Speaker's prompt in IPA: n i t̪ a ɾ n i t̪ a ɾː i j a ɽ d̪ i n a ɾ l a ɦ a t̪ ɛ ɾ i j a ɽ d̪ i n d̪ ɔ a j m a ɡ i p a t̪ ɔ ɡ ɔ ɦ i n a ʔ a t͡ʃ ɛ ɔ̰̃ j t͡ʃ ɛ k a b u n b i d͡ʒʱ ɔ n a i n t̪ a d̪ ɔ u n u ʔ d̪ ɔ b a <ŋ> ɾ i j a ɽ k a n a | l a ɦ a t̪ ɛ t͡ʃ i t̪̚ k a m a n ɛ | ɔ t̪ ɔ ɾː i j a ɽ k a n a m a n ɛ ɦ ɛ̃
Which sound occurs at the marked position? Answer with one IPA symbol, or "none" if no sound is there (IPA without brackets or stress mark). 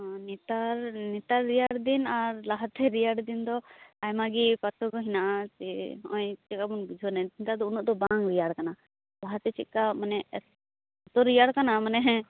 ŋ